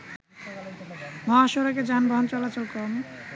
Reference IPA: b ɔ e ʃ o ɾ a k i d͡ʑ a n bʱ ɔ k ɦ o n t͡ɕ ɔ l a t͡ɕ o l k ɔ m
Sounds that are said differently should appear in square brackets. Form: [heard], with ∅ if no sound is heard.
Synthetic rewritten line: [m] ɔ [a] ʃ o ɾ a k [e] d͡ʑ a n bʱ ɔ [∅] ɦ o n t͡ɕ ɔ l a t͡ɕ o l k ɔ m